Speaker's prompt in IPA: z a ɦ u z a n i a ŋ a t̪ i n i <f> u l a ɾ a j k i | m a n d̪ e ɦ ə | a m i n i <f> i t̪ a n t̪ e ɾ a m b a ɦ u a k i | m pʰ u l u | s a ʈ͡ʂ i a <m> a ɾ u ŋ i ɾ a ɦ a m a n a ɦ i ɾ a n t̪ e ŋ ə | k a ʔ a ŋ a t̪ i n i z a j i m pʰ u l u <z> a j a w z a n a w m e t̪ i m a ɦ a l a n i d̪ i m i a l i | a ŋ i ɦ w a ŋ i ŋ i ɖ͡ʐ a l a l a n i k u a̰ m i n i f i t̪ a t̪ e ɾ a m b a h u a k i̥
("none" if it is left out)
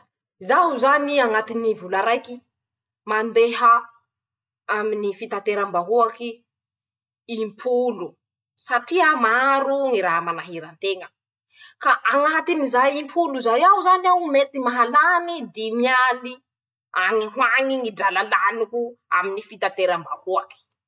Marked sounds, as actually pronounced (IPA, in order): v, f, m, z

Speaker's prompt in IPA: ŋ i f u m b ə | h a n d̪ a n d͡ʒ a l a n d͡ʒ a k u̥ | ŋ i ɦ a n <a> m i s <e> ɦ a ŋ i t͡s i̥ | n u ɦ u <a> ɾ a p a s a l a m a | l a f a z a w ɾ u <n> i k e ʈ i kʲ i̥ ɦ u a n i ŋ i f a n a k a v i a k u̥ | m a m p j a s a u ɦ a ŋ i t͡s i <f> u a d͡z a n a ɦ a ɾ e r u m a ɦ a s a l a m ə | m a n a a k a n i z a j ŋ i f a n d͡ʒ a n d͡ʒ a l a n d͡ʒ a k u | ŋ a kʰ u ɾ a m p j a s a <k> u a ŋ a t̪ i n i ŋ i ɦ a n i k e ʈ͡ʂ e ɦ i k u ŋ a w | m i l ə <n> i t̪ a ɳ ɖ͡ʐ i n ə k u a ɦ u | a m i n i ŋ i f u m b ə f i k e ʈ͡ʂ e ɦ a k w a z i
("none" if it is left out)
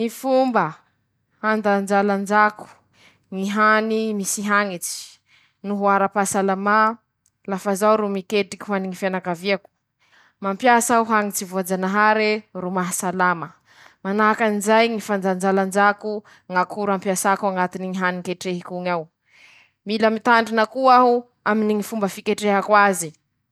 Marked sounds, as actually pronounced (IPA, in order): i, i, a, m, v, k, m

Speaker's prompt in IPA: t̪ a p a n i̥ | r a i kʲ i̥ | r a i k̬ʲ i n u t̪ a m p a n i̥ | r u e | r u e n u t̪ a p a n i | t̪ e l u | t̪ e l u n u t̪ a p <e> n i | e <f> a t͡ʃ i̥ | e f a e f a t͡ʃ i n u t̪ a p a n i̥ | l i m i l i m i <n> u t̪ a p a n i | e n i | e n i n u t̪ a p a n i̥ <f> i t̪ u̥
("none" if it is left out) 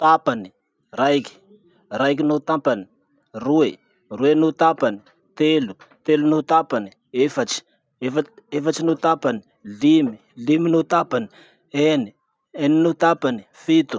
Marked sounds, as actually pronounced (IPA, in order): a, f, n, f

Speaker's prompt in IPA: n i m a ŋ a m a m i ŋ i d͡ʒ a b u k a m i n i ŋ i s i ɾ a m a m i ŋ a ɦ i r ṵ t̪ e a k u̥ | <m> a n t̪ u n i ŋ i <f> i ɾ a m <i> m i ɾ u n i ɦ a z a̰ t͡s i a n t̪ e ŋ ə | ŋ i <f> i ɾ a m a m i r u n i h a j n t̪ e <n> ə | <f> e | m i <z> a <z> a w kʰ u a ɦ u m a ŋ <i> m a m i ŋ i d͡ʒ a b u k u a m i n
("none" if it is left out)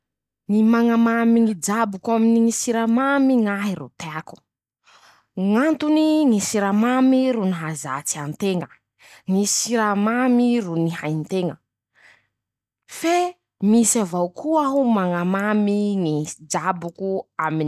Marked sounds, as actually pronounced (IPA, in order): ŋ, s, a, s, ŋ, f, s, v, a

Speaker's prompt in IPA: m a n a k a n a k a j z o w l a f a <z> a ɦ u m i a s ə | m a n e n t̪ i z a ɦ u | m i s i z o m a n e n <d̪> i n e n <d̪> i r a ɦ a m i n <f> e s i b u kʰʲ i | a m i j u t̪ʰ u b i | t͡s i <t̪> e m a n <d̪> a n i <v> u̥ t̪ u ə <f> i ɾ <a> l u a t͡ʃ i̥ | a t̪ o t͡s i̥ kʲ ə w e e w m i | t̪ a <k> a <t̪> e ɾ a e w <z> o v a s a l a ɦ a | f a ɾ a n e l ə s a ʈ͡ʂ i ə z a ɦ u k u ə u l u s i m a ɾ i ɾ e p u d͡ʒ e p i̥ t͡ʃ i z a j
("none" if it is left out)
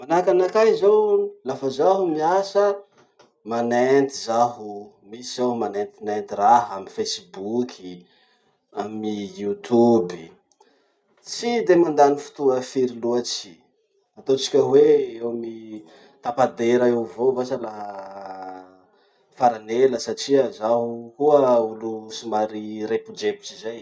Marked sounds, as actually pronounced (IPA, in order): z, t̪, t̪, f, d̪, d̪, f, f, i, p, d̪, v

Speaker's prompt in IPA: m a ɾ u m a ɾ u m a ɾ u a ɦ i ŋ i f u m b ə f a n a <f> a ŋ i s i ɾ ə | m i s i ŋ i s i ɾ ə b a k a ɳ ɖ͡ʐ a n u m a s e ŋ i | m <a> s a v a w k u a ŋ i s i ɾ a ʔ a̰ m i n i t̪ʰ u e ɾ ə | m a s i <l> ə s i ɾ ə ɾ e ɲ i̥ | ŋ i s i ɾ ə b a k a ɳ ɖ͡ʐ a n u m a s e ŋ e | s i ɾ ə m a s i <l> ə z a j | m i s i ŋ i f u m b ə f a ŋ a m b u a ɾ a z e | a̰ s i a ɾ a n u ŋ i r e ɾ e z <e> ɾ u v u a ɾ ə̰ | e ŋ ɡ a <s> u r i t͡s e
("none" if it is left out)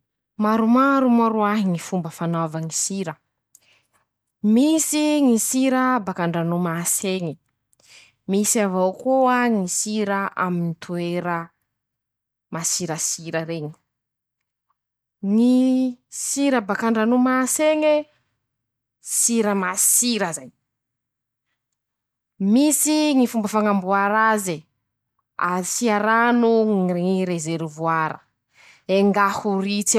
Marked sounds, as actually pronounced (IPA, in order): v, i, ɾ, ɾ, e, h

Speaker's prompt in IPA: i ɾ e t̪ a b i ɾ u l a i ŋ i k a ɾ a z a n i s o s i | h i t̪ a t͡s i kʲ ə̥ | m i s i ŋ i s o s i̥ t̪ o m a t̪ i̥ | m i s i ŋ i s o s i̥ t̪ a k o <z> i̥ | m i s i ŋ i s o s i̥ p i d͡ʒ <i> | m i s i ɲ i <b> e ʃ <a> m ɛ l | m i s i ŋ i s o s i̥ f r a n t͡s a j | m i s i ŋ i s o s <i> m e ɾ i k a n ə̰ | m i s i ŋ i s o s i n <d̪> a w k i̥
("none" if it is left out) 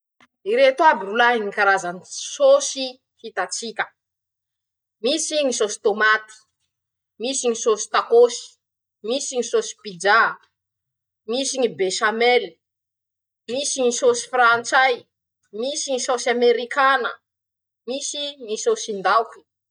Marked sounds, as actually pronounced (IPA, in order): s, a, b, a, a, d̪

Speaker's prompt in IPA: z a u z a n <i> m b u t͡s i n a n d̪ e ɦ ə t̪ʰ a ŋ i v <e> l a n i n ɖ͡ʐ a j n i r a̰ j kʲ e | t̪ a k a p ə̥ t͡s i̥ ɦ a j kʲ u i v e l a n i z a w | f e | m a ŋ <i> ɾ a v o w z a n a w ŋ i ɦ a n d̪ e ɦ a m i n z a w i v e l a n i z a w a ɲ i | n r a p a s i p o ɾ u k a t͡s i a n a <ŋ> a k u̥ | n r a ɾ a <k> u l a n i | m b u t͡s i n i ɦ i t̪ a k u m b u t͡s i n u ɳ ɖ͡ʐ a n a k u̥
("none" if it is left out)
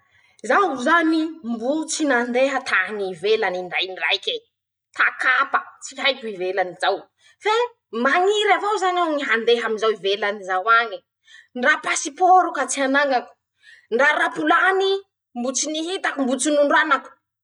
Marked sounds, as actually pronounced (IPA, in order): i, e, i, ŋ, p

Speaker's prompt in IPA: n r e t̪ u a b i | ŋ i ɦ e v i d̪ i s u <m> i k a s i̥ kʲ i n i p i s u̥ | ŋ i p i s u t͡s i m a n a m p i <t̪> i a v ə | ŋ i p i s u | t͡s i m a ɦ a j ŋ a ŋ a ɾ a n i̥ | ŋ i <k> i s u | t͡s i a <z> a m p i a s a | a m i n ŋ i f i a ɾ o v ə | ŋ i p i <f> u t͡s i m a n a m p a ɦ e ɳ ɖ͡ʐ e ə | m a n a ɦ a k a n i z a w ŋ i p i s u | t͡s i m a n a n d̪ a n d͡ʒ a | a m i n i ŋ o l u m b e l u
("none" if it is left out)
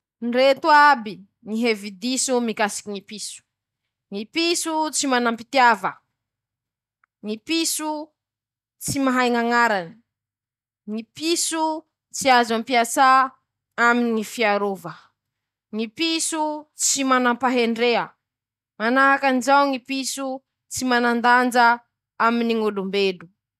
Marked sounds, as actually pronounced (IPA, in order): m, t̪, p, z, s

